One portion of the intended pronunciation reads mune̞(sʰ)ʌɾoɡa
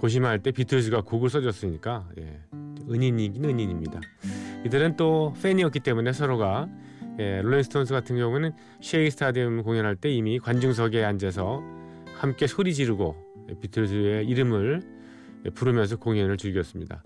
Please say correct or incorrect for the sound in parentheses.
correct